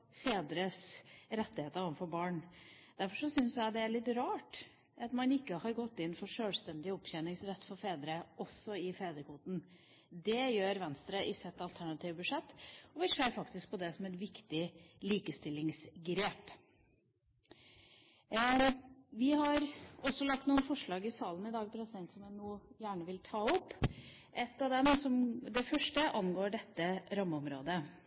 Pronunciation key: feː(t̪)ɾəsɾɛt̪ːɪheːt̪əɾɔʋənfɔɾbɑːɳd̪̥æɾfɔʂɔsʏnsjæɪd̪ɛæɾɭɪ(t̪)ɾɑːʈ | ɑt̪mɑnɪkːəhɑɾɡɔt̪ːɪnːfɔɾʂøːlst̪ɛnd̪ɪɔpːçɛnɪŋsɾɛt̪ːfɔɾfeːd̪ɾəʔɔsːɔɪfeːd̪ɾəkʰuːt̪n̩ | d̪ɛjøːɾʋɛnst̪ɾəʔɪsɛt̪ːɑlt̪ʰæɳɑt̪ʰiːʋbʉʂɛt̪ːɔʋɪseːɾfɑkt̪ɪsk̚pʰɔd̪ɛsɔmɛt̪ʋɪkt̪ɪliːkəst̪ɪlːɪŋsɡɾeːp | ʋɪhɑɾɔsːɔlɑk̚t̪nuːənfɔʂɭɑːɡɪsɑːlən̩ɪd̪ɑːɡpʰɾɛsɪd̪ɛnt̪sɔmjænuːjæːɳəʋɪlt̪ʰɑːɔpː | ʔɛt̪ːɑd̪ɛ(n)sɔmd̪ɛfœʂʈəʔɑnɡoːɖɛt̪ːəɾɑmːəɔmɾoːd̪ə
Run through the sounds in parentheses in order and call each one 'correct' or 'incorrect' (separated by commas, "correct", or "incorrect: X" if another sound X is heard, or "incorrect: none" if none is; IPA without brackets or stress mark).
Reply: incorrect: d̪, correct, incorrect: m